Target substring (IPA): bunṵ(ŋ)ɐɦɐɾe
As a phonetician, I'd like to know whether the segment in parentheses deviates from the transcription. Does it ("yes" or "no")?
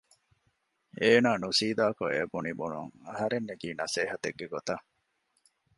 no